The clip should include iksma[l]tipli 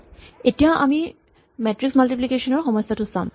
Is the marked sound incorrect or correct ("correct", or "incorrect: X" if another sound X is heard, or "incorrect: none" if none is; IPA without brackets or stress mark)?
correct